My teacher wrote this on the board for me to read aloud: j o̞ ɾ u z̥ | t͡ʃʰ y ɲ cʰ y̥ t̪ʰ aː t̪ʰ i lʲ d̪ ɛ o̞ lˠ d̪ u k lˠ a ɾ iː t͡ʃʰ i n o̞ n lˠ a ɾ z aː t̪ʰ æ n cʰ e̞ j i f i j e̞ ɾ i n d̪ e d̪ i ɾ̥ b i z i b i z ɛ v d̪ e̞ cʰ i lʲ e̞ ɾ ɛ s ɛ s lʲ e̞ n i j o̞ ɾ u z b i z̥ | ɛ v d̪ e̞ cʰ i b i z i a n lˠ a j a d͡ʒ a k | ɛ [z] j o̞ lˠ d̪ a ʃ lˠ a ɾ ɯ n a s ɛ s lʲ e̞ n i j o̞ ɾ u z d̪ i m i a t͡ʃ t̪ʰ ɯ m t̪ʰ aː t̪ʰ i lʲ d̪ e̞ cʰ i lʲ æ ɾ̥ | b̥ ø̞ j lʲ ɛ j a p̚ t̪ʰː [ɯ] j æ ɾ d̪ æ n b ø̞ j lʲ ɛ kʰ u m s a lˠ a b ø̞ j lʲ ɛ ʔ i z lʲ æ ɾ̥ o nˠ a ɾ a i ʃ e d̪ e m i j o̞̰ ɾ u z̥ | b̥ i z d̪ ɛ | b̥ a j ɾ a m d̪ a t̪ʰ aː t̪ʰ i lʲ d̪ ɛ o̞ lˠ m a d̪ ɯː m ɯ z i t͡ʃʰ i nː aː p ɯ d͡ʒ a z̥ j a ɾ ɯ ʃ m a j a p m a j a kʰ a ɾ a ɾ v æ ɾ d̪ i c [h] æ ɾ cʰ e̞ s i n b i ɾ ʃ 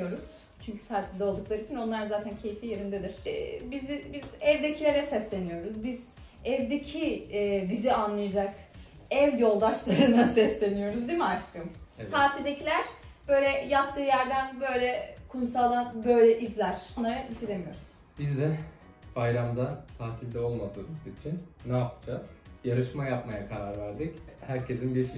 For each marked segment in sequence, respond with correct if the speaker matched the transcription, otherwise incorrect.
incorrect: v, incorrect: ɯː, correct

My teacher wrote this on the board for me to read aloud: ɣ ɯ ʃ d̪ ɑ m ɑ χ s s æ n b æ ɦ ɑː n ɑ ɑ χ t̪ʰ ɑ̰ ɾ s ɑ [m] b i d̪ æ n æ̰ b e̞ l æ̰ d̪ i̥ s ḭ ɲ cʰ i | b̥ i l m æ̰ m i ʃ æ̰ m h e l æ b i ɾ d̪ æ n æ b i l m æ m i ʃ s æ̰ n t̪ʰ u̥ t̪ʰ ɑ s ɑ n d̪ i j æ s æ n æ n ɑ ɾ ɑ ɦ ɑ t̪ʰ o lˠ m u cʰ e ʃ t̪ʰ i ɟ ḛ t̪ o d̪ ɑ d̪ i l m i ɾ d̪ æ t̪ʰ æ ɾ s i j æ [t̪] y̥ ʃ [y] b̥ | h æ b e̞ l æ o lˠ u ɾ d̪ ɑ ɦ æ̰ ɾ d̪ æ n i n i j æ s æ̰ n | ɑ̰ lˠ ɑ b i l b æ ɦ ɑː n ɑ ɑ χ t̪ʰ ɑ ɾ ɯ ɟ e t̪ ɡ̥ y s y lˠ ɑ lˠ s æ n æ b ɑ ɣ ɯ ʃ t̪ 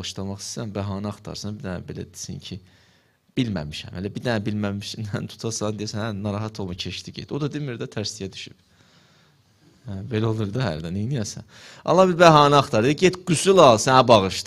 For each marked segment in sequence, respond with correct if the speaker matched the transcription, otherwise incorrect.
incorrect: n, incorrect: d̪, correct

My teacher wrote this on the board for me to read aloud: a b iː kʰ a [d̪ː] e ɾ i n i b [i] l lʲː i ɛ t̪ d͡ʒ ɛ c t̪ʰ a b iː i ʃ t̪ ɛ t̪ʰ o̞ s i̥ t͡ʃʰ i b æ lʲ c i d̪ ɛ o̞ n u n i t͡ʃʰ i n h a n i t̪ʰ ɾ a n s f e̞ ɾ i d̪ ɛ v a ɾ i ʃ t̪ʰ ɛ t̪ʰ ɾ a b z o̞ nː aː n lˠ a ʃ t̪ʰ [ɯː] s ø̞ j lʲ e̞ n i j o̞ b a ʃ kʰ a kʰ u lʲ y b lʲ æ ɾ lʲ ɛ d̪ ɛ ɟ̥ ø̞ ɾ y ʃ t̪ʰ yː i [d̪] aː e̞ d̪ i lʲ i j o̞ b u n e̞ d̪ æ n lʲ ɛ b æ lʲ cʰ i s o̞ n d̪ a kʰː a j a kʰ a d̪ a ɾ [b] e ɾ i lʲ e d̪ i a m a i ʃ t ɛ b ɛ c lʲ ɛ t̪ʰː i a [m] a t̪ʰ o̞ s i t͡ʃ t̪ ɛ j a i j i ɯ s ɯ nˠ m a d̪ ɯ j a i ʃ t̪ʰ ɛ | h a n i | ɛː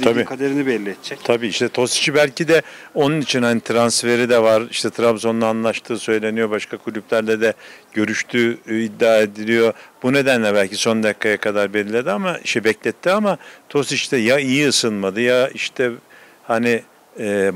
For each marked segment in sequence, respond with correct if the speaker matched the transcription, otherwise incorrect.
incorrect: d̪, incorrect: ɛ, correct, incorrect: d̪ː, correct, correct

